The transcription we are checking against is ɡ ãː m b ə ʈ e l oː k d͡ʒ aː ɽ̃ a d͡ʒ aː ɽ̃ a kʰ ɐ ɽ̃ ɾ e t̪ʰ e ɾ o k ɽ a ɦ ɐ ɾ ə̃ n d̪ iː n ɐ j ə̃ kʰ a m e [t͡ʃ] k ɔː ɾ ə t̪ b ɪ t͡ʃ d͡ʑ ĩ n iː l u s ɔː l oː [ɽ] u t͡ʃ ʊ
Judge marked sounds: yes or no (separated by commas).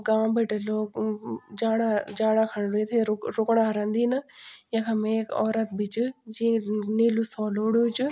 no, yes